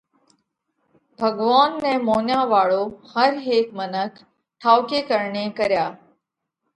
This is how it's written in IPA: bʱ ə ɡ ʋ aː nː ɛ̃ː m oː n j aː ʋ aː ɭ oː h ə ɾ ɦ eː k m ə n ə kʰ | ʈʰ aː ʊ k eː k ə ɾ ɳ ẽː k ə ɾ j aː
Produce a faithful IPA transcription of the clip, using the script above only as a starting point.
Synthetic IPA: bʱ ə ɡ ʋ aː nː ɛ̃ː m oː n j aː ʋ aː ɭ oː h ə ɾ ɦ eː k m ə n ə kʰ | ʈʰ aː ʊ k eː k ə ɾ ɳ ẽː k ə ɾ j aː